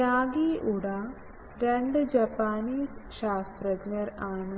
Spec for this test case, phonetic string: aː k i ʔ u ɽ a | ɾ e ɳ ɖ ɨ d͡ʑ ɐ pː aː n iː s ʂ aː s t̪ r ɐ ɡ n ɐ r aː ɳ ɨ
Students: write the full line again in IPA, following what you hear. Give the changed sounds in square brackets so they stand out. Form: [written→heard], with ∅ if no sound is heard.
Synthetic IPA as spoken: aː [k→ɡ] i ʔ u ɽ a | ɾ e ɳ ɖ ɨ d͡ʑ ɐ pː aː n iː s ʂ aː s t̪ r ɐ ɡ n ɐ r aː ɳ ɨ